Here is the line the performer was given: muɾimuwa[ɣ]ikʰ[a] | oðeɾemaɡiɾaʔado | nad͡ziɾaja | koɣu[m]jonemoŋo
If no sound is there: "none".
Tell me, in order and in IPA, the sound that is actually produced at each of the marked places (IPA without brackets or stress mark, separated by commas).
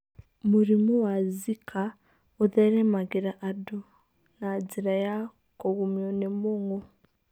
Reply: z, a, m